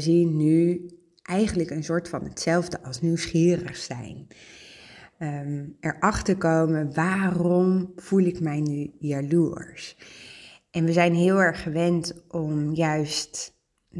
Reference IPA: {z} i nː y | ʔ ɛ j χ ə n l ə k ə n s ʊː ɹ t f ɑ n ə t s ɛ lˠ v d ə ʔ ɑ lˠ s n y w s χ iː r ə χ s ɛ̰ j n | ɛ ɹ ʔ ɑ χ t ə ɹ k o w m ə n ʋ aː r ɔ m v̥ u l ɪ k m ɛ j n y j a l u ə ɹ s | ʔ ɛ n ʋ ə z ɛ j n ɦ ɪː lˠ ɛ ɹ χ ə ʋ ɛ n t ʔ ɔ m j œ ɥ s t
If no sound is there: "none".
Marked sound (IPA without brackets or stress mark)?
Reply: z